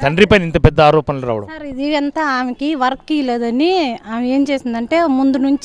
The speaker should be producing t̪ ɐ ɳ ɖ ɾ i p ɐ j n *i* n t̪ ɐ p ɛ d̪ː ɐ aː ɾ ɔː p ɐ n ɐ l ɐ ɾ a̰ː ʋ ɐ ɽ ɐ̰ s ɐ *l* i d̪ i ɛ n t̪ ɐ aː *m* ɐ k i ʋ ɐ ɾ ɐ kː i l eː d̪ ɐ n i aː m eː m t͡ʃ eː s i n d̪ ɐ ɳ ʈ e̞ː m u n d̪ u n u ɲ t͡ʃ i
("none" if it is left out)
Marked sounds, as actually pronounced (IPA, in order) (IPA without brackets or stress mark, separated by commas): i, ɾ, m